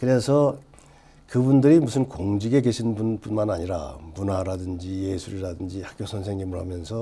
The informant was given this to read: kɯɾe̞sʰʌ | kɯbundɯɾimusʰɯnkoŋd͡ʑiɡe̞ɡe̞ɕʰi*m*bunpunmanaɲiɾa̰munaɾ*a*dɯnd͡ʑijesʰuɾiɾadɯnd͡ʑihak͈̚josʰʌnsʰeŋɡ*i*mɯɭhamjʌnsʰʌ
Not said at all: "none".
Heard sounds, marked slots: n, a, i

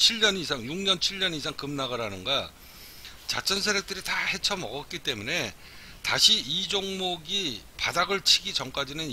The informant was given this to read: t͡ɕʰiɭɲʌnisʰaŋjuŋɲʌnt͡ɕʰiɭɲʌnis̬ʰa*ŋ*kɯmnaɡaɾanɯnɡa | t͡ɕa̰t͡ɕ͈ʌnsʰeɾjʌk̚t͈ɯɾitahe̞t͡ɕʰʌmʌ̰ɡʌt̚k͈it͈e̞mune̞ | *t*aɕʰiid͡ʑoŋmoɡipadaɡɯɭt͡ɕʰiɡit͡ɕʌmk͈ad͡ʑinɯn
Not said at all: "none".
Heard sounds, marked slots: ŋ, t

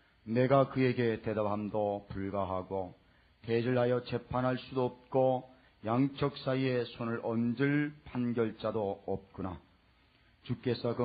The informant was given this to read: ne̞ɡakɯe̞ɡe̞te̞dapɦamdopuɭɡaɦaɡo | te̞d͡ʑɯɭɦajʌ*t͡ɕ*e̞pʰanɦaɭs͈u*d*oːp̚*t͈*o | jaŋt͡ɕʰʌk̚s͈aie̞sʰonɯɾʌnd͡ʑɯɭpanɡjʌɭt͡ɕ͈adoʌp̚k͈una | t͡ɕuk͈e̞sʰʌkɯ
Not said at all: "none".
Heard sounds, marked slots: t͡ɕ, d, k͈

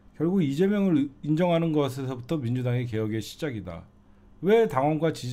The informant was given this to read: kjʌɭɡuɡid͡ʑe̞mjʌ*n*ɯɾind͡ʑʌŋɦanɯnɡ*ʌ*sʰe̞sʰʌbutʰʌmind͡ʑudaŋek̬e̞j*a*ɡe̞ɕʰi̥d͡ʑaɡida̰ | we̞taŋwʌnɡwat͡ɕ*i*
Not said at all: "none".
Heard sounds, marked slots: ŋ, ʌ, ʌ, i

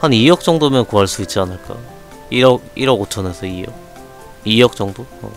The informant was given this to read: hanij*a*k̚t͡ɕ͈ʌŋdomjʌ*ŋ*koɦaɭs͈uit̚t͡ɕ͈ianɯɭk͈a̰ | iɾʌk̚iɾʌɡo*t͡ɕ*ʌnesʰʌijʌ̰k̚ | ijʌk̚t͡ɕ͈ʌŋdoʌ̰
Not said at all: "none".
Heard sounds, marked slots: ʌ, n, t͡ɕʰ

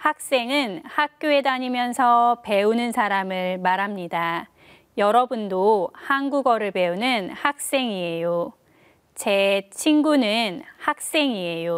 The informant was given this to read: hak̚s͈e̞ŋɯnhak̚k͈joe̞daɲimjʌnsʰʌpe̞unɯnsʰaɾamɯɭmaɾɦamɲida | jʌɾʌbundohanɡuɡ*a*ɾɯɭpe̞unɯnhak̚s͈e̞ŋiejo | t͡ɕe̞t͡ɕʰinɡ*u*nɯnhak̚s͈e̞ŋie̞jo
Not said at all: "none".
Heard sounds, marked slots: ʌ, u

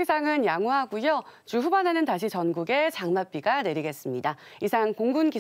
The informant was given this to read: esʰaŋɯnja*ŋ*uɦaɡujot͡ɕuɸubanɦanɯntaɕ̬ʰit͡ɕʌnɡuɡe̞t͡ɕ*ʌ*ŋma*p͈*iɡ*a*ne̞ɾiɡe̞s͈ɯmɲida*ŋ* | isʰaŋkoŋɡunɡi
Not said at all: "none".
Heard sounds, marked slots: ŋ, a, p͈, a, none

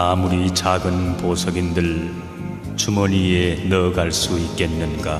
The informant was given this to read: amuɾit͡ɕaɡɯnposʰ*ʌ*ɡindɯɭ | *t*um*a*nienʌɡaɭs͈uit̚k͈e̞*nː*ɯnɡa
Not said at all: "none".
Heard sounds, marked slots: ʌ, t͡ɕ, ʌ, nː

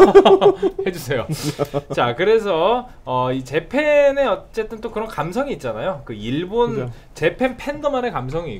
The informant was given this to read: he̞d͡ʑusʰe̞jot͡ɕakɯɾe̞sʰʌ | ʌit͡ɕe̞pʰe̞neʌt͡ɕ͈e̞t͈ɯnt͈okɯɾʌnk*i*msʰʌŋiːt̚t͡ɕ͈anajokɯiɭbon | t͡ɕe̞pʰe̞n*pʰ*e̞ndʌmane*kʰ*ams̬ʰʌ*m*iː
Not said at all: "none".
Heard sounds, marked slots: a, pʰ, k, ŋ

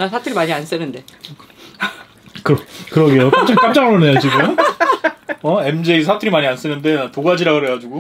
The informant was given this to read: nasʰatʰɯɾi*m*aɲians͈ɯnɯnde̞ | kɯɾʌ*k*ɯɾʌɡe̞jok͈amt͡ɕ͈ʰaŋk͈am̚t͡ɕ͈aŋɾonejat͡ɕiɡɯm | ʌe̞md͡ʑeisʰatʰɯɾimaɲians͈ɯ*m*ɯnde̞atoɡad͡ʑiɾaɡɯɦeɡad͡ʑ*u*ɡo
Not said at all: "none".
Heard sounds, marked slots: m, k, n, u

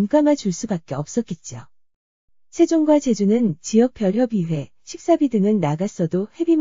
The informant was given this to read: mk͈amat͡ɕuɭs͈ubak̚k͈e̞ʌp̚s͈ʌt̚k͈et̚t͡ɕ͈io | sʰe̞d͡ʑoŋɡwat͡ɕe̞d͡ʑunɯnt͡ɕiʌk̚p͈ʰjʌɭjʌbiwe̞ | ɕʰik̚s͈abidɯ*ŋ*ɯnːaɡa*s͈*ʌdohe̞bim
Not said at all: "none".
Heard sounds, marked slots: ŋ, s͈

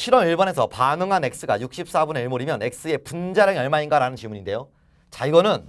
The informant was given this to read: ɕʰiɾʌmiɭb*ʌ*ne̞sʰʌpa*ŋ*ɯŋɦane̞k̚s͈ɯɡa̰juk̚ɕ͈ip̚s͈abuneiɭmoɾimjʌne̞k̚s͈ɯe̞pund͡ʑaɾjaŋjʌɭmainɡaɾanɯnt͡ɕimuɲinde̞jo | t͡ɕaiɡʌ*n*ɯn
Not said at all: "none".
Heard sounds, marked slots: ʌ, n, n

